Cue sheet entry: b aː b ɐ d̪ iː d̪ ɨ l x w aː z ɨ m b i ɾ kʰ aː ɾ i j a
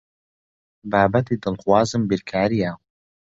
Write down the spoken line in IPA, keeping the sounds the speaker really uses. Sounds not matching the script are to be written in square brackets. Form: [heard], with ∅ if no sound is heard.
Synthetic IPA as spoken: b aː b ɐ [t̪] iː d̪ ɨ l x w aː z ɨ m b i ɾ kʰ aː ɾ i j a